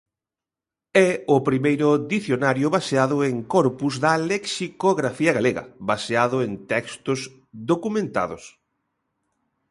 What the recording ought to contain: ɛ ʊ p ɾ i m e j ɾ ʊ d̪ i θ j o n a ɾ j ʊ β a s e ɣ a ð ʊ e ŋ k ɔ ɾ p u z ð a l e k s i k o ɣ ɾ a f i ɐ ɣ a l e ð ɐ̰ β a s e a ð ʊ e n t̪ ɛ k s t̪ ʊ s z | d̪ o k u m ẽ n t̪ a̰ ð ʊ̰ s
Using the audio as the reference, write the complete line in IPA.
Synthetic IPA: ɛ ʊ p ɾ i m e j ɾ ʊ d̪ i θ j o n a ɾ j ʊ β a s e a ð ʊ e ŋ k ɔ ɾ p u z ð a l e k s i k o ɣ ɾ a f i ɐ ɣ a l e ɣ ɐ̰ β a s e a ð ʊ e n t̪ ɛ k s t̪ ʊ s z | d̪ o k u m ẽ n t̪ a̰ ð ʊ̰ s